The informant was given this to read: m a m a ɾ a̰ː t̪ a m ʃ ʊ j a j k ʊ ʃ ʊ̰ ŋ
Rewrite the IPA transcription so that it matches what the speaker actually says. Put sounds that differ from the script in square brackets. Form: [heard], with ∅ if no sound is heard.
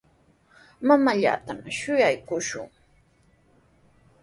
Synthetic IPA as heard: m a m a [ʎ] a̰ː t̪ a m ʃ ʊ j a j k ʊ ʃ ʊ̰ ŋ